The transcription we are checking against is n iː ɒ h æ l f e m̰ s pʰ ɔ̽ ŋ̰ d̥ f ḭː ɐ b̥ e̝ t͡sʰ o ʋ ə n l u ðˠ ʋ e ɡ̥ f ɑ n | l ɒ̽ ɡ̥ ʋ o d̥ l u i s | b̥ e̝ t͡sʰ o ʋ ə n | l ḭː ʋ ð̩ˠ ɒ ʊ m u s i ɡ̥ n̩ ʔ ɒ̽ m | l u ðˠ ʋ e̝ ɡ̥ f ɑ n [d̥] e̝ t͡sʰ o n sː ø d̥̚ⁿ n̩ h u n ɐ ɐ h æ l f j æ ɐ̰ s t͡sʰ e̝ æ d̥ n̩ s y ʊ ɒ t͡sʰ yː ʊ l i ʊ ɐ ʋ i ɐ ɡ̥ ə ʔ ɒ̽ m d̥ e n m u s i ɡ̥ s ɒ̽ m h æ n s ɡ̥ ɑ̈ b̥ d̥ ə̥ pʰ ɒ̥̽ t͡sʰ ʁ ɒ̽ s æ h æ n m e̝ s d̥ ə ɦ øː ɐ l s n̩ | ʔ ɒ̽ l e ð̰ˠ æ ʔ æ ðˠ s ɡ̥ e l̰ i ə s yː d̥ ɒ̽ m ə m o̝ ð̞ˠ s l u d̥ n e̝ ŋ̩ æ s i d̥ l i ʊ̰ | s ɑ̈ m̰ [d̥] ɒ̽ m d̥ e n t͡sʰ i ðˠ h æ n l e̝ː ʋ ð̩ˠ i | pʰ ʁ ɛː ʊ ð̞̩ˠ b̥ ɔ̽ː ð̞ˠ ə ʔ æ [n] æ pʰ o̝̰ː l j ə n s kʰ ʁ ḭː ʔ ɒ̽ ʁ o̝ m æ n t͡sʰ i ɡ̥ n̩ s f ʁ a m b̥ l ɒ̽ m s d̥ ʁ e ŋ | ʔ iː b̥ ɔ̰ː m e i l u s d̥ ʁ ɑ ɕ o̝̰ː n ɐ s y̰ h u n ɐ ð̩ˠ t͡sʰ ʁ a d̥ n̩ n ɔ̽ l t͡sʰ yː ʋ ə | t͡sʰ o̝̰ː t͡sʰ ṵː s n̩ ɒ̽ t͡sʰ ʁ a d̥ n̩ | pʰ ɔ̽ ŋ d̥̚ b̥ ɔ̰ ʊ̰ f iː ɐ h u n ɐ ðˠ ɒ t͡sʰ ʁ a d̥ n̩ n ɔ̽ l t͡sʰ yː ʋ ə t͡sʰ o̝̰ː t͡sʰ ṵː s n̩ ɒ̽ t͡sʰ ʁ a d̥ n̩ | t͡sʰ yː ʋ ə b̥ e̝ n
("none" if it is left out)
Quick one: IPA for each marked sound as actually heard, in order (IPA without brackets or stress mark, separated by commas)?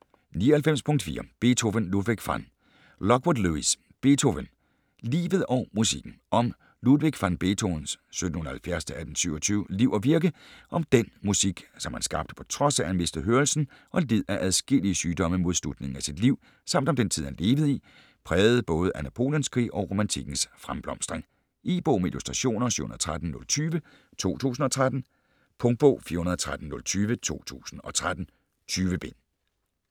b̥, d̥, n